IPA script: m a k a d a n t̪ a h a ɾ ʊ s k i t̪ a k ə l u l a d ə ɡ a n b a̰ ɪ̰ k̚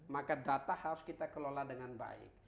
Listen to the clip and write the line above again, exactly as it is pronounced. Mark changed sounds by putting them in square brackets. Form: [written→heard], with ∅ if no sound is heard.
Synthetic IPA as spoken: m a k a d a [n→∅] t̪ a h a ɾ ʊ s k i t̪ a k ə l [u→o] l a d ə [ɡ→ŋ] a n b a̰ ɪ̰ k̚